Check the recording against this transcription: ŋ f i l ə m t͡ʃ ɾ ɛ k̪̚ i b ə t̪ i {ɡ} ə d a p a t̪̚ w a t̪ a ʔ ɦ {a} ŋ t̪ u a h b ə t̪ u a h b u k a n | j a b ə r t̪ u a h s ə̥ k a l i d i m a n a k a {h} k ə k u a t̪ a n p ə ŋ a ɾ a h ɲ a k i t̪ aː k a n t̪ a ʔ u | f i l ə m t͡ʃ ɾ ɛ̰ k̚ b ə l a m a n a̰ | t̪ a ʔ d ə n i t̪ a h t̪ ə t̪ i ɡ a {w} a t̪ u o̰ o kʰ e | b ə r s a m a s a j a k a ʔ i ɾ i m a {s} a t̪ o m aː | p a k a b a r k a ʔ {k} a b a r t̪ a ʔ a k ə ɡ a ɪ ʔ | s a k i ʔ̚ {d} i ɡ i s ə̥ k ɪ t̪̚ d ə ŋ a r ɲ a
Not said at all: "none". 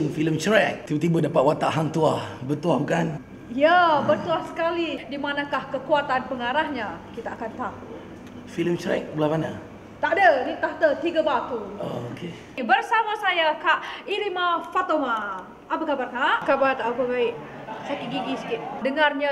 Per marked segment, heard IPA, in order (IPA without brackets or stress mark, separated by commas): b, a, h, b, f, k, ɡ